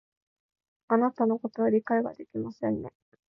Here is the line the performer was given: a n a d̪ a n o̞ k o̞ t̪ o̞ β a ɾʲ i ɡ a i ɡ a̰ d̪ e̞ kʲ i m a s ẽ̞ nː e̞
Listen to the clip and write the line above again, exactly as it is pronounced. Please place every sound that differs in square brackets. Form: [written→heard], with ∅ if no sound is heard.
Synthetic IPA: a n a [d̪→t̪] a n o̞ k o̞ t̪ o̞ β a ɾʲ i [ɡ→k] a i ɡ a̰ d̪ e̞ kʲ i m a s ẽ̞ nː e̞